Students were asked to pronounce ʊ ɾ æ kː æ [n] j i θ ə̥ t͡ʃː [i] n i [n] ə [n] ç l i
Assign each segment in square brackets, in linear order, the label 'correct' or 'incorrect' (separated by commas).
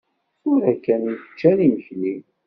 correct, incorrect, incorrect, incorrect